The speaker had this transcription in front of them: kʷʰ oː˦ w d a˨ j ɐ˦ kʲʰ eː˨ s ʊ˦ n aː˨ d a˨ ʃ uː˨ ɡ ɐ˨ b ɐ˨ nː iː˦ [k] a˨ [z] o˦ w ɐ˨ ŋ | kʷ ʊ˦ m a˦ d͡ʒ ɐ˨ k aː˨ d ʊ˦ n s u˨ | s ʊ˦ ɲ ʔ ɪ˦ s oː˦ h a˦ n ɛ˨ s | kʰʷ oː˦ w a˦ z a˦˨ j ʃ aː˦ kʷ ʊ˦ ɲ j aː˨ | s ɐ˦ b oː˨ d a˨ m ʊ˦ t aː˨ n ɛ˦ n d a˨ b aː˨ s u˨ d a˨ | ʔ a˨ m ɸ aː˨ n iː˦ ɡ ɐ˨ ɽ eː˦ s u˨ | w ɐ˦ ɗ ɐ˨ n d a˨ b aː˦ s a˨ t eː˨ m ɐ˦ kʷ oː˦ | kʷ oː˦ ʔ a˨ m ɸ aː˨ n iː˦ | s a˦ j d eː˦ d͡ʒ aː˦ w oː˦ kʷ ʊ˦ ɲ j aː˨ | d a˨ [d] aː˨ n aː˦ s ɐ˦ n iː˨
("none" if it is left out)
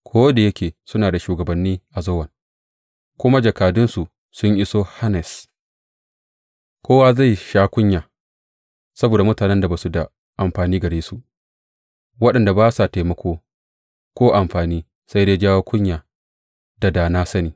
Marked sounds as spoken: ʔ, z, d

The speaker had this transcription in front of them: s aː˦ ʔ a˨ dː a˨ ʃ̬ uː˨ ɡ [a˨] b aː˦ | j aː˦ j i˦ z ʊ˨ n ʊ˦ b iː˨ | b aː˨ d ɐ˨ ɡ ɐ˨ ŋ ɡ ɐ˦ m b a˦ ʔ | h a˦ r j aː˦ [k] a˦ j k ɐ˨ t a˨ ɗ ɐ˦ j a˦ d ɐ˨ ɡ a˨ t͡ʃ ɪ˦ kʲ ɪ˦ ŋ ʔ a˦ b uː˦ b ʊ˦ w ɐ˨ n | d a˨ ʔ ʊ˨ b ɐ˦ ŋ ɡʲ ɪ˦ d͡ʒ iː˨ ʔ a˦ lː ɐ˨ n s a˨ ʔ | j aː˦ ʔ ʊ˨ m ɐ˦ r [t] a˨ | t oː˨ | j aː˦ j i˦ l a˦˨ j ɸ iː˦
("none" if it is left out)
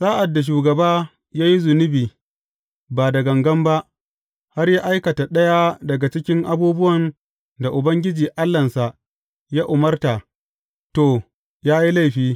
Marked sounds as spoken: ɐ˨, ʔ, t

